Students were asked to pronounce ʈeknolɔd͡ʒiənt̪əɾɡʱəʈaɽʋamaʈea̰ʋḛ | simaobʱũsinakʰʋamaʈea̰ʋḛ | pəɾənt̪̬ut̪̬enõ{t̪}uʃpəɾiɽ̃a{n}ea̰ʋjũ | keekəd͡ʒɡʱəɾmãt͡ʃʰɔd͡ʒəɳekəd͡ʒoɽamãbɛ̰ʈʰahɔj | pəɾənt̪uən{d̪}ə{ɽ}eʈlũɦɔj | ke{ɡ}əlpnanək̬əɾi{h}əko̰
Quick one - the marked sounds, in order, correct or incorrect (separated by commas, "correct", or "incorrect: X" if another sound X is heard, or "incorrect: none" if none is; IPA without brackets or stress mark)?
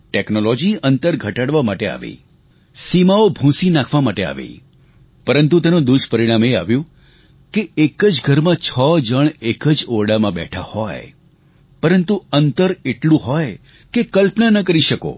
incorrect: d̪, incorrect: m, incorrect: t̪, incorrect: ɾ, incorrect: k, incorrect: ʃ